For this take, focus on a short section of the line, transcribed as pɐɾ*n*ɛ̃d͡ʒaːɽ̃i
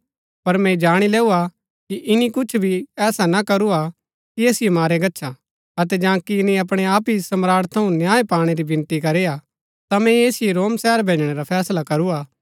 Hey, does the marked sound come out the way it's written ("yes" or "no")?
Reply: no